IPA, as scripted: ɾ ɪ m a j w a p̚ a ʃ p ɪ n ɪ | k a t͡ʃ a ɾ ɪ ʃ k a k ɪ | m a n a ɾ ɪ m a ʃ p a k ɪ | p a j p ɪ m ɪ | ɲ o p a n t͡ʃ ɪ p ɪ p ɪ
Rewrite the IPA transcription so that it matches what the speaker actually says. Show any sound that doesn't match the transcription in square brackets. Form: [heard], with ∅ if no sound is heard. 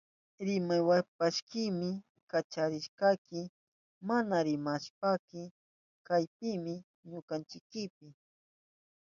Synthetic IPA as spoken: ɾ ɪ m a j w a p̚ a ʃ [k] ɪ [m] ɪ | k a t͡ʃ a ɾ ɪ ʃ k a k ɪ | m a n a ɾ ɪ m a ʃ p a k ɪ | [k] a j p ɪ m ɪ | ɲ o [k] a n t͡ʃ ɪ [k] ɪ p ɪ